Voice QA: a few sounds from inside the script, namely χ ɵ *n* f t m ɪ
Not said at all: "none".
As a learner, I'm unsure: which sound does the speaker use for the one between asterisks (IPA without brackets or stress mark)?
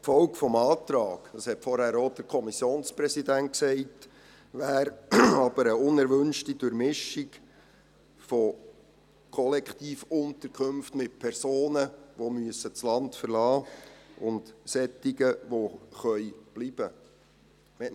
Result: m